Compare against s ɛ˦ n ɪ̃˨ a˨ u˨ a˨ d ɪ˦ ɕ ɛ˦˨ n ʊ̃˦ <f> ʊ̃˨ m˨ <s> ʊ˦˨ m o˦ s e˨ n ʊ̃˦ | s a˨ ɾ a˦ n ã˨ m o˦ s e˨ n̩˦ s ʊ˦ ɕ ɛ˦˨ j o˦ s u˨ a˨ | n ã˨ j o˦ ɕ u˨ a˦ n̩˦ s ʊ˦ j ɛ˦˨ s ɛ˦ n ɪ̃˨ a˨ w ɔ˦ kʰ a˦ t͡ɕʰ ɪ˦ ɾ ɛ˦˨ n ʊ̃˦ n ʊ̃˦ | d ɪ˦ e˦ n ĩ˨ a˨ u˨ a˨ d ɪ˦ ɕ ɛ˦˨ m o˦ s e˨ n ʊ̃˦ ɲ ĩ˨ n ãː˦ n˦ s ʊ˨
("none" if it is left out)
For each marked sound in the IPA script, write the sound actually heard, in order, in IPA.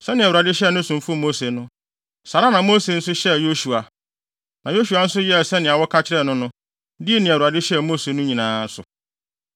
s, f

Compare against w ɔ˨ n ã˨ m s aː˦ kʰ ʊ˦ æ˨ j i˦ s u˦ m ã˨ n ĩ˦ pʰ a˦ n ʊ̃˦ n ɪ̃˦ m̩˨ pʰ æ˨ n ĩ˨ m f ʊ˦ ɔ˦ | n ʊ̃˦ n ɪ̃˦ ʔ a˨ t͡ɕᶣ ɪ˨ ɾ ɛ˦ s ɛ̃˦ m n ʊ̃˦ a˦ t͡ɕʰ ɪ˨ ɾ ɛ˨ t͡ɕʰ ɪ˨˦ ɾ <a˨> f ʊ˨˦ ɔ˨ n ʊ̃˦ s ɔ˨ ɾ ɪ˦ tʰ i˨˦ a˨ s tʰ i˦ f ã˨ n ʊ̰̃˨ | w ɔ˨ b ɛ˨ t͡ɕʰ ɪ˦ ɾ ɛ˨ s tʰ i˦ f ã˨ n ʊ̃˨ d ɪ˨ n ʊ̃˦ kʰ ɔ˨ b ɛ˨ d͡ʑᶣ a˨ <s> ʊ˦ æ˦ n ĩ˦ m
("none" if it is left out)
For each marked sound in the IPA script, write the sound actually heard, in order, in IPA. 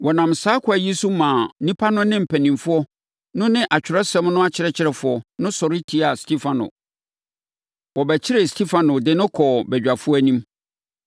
ɛ˨, f

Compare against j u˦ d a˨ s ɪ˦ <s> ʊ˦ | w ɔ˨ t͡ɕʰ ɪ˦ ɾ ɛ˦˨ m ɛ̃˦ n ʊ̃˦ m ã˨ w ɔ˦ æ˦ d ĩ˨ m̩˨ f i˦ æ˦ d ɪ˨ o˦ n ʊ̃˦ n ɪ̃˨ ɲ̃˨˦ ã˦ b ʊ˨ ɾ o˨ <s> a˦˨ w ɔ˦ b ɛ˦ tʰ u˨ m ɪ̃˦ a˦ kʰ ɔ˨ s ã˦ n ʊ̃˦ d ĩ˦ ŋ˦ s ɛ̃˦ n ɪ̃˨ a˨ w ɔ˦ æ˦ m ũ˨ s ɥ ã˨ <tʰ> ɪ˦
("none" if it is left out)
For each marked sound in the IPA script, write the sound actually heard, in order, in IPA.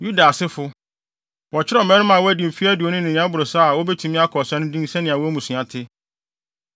f, s, tʰ

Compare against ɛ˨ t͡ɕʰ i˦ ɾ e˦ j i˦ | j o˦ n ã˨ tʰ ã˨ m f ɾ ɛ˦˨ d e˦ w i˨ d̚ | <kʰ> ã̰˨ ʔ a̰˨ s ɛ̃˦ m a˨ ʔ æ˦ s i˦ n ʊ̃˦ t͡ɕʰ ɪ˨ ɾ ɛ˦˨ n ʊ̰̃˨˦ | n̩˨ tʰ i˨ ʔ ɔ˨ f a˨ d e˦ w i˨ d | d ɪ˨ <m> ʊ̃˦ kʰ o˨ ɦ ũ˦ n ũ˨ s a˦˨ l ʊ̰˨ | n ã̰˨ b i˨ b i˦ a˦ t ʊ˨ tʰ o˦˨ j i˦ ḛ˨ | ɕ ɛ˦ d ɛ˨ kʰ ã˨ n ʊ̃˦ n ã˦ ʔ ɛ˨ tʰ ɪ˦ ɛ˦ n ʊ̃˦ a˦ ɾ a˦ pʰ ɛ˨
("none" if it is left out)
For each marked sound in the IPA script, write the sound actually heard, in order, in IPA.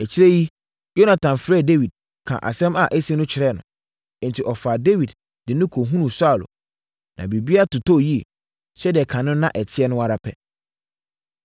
kʰ, n

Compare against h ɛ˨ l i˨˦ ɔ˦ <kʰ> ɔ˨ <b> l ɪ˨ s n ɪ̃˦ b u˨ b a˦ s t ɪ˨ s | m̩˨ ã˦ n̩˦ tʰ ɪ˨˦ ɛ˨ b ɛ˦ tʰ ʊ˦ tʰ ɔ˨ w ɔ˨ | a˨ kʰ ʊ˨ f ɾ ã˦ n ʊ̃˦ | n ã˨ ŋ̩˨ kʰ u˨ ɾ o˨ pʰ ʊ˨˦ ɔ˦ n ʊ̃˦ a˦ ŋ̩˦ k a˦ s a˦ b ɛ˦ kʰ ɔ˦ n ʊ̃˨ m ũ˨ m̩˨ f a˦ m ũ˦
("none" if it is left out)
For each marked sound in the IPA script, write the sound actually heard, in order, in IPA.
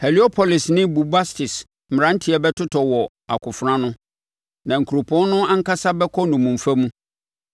pʰ, none

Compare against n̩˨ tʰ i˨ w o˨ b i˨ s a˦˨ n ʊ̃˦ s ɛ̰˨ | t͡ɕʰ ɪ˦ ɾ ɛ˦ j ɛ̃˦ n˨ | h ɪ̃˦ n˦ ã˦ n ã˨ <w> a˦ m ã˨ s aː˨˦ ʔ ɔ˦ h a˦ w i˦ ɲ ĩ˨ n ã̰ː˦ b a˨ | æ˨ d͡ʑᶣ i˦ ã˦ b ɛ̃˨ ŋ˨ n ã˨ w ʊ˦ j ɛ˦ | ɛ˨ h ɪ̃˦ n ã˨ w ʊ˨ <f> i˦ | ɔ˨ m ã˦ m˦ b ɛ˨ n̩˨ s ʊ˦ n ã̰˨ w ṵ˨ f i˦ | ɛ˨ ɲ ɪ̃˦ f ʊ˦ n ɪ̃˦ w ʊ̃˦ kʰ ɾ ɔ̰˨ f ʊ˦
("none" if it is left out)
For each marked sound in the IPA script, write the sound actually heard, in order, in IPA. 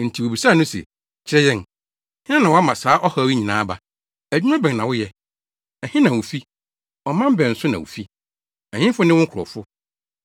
w, f

